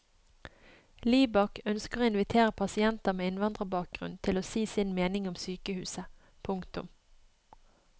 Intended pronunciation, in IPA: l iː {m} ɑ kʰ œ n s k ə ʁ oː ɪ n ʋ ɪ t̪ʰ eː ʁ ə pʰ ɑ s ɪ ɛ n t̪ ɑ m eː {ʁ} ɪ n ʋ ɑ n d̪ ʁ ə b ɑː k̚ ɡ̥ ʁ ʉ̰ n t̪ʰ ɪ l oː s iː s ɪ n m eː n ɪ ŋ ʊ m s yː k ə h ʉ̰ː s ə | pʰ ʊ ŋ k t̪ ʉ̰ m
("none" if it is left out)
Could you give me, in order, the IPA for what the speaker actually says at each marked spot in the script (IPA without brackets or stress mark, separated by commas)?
b, none